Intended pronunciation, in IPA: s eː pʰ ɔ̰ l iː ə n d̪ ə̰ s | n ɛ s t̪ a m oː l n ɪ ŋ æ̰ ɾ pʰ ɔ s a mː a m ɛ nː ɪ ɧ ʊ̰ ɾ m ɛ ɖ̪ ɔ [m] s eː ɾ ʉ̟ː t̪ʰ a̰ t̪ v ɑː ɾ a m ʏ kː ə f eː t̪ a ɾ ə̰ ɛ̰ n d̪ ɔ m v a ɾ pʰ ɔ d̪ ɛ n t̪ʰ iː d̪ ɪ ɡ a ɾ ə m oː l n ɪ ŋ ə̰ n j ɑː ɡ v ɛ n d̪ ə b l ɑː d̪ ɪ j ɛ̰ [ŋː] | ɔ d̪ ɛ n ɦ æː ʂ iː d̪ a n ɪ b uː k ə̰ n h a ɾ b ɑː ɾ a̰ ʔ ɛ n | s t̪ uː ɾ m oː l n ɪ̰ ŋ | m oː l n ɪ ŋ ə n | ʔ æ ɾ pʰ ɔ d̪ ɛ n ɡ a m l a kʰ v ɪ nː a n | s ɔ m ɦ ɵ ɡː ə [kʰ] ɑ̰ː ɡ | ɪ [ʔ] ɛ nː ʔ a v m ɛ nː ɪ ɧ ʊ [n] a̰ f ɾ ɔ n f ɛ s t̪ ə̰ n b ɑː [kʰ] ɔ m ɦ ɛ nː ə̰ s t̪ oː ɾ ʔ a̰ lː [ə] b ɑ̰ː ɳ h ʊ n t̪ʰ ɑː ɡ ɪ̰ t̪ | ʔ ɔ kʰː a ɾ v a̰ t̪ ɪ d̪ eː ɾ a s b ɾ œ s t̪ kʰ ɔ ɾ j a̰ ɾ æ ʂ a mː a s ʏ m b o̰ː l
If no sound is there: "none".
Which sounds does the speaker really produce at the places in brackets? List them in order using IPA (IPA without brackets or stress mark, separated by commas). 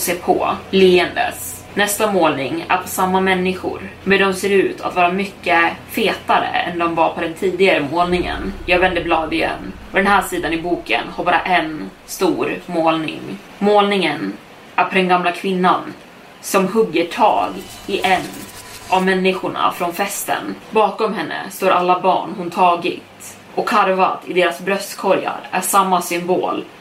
m, nː, ʈʰ, ʔ, ɳ, k, a